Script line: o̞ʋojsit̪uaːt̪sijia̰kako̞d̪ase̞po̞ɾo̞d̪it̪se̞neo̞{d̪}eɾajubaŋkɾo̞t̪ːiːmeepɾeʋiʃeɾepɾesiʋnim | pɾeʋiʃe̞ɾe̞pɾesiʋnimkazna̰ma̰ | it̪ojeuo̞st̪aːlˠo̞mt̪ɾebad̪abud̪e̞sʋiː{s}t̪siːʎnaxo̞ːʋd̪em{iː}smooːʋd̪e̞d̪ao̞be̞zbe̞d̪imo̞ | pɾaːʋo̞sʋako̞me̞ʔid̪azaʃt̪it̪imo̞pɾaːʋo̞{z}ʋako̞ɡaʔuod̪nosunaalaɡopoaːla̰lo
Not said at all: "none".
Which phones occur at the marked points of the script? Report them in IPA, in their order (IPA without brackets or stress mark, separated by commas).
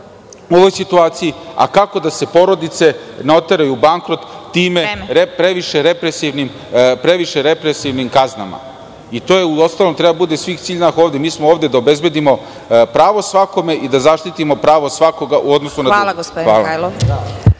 t̪, x, iː, s